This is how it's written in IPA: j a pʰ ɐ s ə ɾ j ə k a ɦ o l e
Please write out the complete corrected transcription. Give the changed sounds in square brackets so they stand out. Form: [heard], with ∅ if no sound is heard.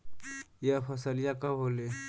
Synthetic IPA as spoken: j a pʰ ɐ s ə [l] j [a] k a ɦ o l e